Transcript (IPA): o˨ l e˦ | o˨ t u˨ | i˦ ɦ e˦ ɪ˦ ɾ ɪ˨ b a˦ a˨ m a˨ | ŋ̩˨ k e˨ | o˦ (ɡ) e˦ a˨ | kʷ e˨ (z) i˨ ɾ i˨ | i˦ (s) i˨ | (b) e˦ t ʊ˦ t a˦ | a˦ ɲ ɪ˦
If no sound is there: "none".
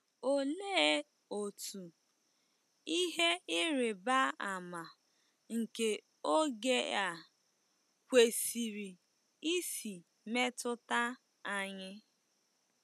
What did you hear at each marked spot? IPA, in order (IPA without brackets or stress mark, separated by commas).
ɡ, s, s, m